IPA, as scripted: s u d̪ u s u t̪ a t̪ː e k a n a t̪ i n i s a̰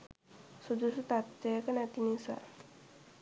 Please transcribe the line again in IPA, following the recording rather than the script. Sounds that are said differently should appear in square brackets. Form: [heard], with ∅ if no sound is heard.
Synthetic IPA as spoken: s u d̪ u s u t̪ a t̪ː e k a n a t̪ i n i s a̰

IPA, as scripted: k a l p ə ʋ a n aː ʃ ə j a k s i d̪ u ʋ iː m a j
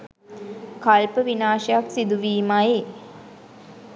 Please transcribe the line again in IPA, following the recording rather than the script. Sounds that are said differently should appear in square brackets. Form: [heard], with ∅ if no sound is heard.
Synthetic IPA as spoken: k a l p ə ʋ [i] n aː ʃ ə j a k s i d̪ u ʋ iː m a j

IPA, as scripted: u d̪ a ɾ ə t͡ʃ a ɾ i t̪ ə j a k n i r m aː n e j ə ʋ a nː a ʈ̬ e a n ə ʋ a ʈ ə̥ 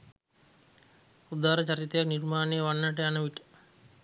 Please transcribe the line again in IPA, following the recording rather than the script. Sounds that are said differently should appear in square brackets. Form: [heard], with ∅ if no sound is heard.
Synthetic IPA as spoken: u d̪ a ɾ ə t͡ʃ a ɾ i t̪ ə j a k n i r m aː n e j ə ʋ a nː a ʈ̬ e a n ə ʋ [i] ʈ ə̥

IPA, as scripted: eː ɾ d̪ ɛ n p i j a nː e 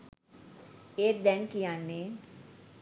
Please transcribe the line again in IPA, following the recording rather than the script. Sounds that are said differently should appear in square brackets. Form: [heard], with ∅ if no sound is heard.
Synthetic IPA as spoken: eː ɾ d̪ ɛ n [k] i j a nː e

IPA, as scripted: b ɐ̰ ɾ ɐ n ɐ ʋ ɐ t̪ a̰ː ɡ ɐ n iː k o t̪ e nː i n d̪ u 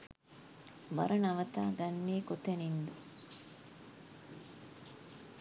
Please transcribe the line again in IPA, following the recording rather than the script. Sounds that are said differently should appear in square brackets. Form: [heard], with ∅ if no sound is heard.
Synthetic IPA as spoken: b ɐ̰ ɾ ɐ n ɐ ʋ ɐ t̪ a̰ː ɡ ɐ [nː] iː k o t̪ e [n] i n d̪ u

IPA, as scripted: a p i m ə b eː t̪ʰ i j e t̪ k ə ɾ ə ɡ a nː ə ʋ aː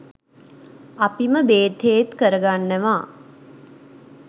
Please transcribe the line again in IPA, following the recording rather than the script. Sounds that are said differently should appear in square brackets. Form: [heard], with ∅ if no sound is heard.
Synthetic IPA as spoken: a p i m ə b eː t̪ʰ [e] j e t̪ k ə ɾ ə ɡ a nː ə ʋ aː

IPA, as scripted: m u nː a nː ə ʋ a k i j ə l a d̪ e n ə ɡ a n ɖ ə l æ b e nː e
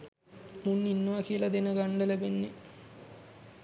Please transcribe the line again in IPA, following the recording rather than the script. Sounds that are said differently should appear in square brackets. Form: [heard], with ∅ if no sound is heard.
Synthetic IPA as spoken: m u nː [i] nː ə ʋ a k i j ə l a d̪ e n ə ɡ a [ɳ] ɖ ə l æ b e nː e

